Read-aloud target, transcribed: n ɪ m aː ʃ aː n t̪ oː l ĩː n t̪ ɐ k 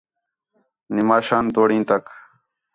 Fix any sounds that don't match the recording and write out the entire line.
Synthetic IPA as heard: n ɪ m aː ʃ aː n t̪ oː ɽ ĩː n t̪ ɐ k